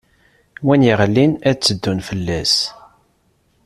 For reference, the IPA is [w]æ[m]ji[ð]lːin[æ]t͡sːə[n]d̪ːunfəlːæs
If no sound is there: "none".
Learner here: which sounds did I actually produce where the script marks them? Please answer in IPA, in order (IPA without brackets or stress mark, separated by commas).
w, n, ʁ, æ, none